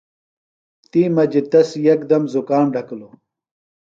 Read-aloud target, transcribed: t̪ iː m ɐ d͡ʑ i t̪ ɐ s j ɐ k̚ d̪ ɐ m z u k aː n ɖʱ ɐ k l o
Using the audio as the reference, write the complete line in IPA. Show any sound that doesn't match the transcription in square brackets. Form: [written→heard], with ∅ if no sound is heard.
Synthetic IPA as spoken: t̪ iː m ɐ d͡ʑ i t̪ ɐ s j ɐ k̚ d̪ ɐ m z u k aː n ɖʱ ɐ k l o